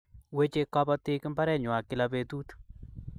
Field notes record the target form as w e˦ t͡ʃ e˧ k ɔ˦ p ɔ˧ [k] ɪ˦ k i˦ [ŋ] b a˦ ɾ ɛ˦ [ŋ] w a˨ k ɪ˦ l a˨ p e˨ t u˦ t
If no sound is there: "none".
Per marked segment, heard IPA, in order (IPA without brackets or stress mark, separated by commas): t, m, ɲ